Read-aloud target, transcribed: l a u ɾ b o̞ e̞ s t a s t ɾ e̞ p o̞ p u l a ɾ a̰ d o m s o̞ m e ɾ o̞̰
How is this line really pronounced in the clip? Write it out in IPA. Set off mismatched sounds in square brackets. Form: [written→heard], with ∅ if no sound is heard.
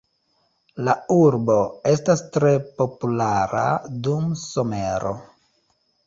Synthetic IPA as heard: l a u ɾ b o̞ e̞ s t a s t ɾ e̞ p o̞ p u l a ɾ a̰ d [o→u] m s o̞ m e ɾ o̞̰